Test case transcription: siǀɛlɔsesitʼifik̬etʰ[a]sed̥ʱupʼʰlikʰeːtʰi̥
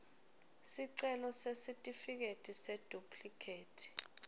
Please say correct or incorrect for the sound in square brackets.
incorrect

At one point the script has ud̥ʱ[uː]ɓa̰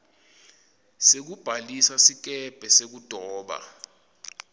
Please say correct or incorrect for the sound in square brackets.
incorrect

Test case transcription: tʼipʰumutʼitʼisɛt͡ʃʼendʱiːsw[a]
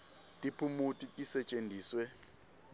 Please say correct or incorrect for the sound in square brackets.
incorrect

